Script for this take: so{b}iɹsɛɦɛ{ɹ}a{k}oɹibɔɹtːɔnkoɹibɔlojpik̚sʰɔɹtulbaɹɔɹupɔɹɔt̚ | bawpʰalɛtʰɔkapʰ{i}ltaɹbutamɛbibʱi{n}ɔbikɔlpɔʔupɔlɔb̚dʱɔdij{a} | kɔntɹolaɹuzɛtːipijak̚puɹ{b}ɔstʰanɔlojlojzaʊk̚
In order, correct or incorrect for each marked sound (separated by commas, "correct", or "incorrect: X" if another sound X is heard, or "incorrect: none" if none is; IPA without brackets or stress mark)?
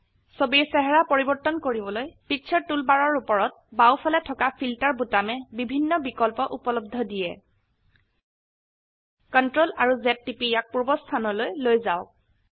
correct, correct, incorrect: p, correct, incorrect: nː, incorrect: ɛ, correct